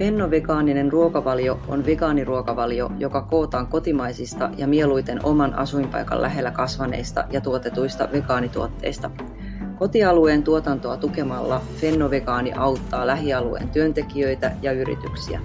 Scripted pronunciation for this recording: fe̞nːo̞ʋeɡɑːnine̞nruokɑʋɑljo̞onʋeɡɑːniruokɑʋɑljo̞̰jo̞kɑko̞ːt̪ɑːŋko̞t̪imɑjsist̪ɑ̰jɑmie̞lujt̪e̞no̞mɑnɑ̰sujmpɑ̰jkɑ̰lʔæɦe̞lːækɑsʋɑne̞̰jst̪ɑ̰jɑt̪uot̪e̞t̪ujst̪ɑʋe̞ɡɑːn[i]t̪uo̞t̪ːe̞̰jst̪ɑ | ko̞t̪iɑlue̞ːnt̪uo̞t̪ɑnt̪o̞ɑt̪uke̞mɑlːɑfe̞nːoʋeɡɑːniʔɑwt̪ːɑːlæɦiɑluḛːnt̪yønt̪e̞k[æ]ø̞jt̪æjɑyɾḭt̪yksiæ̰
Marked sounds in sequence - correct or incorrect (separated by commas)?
correct, incorrect